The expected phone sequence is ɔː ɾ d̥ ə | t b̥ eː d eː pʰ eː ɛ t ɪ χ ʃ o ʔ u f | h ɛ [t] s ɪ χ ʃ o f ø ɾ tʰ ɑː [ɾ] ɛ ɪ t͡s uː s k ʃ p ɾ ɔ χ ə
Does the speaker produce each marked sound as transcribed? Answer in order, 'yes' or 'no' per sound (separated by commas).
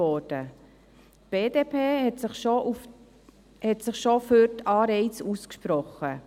yes, yes